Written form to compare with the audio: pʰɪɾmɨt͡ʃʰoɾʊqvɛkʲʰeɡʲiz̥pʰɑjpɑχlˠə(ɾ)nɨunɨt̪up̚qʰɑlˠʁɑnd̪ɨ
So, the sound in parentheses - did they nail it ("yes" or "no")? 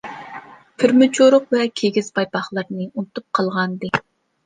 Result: yes